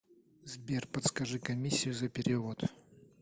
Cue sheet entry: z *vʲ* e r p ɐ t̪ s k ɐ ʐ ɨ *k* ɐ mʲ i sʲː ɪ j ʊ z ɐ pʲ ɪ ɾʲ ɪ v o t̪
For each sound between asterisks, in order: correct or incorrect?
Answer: incorrect: bʲ, correct

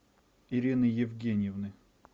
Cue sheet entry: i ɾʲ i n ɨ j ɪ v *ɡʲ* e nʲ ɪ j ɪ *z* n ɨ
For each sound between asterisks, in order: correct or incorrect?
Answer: correct, incorrect: v

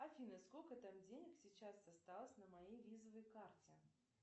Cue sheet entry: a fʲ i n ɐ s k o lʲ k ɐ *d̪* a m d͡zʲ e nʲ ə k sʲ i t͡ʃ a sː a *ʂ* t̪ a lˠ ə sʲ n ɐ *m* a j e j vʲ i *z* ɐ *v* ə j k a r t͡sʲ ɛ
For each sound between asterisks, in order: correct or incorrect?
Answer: incorrect: t̪, incorrect: s, correct, correct, correct

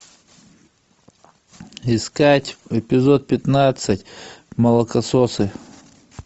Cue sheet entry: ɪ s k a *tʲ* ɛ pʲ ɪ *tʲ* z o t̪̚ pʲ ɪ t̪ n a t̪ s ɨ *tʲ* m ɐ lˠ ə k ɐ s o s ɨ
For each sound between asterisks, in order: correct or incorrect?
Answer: correct, incorrect: none, correct

